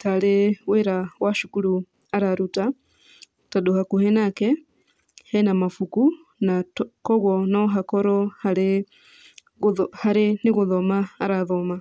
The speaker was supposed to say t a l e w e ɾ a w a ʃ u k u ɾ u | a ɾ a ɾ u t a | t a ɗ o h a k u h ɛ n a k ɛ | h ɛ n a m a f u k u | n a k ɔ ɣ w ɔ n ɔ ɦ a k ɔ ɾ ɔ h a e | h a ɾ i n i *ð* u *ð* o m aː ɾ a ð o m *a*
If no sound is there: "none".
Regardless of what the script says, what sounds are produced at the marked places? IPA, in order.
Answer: ɣ, ð, a

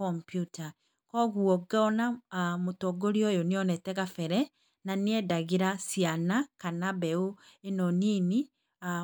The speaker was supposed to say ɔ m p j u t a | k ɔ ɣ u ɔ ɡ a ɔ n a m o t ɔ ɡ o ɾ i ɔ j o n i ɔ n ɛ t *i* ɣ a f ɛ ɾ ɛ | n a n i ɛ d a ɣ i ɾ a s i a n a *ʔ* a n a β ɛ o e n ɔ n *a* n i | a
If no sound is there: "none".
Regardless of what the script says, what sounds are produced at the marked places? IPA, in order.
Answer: ɛ, k, i

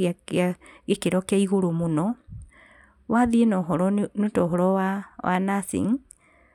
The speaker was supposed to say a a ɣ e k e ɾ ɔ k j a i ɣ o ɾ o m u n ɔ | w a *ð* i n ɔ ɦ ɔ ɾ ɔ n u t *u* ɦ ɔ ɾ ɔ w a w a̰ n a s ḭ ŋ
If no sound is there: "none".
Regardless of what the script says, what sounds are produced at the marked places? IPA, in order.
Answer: ð, ɔ

